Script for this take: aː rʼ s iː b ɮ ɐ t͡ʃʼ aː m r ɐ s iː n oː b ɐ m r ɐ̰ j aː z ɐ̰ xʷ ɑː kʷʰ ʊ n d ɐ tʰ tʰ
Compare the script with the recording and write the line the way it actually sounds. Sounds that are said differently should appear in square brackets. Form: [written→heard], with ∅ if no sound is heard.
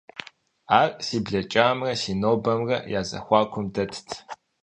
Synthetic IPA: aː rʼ s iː b ɮ ɐ t͡ʃʼ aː m r ɐ s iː n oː b ɐ m r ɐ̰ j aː z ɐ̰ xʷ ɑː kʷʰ ʊ [n→m] d ɐ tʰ tʰ